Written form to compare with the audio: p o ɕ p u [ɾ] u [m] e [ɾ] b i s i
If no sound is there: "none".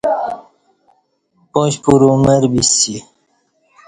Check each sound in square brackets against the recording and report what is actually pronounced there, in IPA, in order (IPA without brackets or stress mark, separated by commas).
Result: ɾ, m, ɾ